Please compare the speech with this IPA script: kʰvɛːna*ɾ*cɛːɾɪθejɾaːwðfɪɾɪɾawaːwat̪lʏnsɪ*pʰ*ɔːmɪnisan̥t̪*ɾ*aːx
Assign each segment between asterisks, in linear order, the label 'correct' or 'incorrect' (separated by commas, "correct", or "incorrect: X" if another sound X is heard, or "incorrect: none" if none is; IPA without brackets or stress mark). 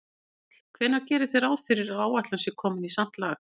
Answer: correct, incorrect: kʰ, incorrect: l